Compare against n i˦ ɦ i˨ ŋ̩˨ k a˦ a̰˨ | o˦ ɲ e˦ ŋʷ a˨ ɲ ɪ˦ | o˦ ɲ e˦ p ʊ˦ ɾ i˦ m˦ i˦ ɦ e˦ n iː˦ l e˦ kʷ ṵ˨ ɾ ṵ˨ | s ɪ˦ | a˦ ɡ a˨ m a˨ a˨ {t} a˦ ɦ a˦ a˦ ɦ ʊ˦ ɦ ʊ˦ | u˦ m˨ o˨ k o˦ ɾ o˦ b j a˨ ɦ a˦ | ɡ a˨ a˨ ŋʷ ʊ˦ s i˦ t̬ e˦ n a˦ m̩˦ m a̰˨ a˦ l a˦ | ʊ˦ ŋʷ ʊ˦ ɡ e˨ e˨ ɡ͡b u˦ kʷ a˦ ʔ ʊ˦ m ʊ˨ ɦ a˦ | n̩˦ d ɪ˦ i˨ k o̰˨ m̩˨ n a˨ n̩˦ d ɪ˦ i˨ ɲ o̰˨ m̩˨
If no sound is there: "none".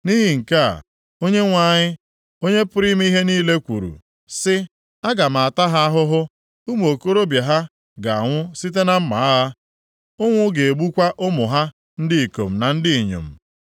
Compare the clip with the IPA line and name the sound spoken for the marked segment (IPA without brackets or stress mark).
t